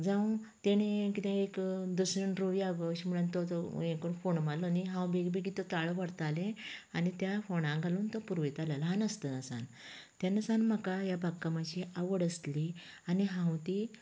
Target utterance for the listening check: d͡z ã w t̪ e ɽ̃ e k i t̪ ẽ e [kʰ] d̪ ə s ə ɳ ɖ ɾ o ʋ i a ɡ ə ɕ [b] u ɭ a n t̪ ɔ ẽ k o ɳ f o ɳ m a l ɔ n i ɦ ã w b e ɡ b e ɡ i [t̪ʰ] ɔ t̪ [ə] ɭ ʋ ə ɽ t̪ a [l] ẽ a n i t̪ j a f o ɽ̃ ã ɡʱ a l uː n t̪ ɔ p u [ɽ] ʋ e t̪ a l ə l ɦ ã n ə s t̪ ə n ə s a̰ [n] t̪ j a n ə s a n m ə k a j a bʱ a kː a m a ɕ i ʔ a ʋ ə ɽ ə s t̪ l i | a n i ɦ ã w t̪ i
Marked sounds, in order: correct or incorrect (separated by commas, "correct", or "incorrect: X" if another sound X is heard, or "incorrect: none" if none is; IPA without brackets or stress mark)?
incorrect: k, incorrect: m, incorrect: t̪, incorrect: a, correct, incorrect: ɾ, correct